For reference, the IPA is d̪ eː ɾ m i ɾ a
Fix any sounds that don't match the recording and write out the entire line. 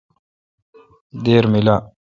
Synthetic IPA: d̪ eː ɾ m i l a